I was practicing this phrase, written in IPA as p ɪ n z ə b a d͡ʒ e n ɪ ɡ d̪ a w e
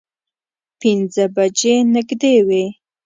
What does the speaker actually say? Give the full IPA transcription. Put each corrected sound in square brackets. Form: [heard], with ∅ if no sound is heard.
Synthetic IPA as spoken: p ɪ n z ə b a d͡ʒ e n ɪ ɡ d̪ [e] w e